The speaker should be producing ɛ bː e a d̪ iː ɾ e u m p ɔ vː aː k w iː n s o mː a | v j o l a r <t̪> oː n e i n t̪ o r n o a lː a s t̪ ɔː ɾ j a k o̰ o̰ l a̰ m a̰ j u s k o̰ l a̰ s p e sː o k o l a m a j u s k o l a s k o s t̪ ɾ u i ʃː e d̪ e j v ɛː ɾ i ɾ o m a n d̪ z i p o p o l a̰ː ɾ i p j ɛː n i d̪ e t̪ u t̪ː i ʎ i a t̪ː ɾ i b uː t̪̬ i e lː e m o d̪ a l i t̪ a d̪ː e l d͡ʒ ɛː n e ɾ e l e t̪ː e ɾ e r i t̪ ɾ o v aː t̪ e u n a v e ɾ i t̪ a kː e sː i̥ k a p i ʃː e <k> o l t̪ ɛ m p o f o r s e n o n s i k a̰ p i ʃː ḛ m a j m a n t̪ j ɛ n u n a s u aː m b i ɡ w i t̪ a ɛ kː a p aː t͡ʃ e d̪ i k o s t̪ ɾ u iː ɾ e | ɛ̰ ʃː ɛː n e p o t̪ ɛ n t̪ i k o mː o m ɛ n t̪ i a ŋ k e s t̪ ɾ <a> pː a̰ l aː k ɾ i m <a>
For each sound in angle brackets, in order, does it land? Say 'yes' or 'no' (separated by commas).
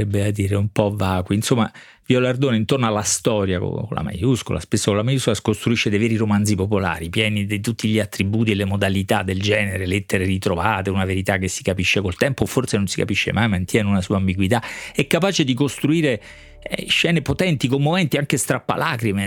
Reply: no, yes, yes, no